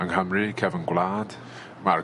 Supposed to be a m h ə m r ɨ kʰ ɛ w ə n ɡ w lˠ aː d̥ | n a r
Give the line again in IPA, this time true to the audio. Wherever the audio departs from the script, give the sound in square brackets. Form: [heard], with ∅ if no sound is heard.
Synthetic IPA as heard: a [ŋ] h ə m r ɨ kʰ ɛ [v] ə n ɡ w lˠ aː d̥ | [m] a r